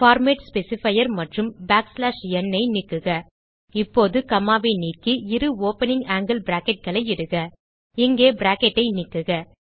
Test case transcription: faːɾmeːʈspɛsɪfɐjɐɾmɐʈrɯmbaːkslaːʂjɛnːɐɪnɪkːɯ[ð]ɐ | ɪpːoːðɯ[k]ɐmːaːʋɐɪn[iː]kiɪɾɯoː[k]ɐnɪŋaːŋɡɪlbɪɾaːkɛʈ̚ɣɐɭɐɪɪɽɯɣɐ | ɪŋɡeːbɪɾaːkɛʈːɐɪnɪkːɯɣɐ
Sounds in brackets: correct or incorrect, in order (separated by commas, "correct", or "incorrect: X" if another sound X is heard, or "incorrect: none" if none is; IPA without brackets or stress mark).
incorrect: ɣ, correct, correct, incorrect: p